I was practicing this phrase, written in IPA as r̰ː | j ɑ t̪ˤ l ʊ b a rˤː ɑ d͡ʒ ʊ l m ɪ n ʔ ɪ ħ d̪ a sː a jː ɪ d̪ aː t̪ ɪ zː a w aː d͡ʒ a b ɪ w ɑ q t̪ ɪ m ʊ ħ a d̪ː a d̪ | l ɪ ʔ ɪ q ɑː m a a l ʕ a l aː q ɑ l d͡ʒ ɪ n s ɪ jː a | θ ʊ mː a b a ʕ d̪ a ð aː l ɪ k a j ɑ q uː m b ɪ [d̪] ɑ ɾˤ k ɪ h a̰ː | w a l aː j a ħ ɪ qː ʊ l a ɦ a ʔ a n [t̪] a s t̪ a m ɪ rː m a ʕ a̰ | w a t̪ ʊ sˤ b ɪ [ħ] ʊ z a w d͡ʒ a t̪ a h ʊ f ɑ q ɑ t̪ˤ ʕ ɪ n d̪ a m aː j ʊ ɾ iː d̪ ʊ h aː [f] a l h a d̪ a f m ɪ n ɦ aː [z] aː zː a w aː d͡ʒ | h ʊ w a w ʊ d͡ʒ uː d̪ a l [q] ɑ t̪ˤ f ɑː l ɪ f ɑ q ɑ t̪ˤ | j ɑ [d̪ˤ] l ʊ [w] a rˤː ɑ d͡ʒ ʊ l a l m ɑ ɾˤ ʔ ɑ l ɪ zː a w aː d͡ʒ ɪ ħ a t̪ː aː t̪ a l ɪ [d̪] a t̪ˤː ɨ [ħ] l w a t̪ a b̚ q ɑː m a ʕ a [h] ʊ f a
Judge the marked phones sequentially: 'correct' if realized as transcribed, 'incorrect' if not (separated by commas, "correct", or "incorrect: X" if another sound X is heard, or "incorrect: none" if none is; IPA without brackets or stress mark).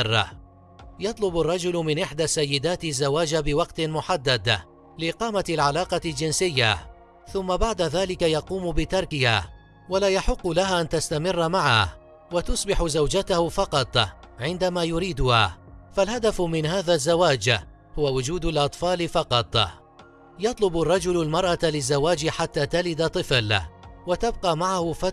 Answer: incorrect: t̪, correct, correct, correct, incorrect: ð, incorrect: ʔ, incorrect: t̪ˤ, incorrect: b, correct, incorrect: f, correct